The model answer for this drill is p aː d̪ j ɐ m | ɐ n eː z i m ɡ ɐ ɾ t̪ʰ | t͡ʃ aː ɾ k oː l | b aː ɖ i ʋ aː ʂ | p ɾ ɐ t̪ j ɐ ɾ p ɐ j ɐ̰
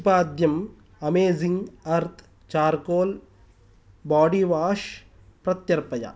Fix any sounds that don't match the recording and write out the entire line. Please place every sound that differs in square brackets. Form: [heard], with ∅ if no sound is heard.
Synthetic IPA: p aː d̪ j ɐ m | ɐ [m] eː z i [ŋ] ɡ ɐ ɾ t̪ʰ | t͡ʃ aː ɾ k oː l | b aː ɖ i ʋ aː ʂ | p ɾ ɐ t̪ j ɐ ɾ p ɐ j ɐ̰